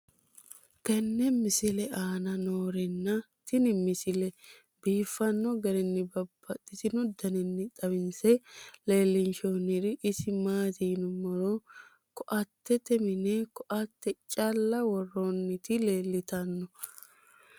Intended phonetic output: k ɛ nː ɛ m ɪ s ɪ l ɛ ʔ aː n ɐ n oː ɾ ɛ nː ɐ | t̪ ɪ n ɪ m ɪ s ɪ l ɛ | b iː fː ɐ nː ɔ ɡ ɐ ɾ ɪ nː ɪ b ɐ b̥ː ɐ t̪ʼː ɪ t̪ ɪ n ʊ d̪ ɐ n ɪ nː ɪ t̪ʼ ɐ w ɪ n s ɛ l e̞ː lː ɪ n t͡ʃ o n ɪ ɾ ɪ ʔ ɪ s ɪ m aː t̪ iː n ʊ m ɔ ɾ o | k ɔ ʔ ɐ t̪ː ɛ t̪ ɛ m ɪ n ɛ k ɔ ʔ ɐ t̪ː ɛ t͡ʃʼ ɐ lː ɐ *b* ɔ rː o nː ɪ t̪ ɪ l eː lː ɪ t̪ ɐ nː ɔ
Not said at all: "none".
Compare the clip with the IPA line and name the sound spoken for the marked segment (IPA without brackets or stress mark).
w